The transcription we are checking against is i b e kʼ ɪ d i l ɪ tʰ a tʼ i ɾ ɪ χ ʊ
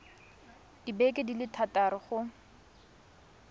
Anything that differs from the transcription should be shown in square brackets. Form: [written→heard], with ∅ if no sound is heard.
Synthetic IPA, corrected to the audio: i b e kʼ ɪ d i l ɪ tʰ a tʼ [i→a] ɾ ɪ χ ʊ